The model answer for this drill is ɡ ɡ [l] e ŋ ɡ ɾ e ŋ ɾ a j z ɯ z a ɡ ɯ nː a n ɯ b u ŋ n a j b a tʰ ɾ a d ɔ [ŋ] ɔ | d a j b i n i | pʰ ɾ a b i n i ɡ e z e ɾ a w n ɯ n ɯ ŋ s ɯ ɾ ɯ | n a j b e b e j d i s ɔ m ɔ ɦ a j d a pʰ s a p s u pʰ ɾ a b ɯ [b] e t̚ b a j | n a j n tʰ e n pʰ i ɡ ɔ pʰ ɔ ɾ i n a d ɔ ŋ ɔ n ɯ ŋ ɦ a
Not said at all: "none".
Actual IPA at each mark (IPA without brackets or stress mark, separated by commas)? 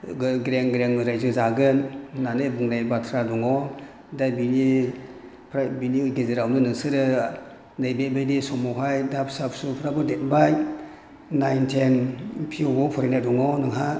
ɾ, ŋ, d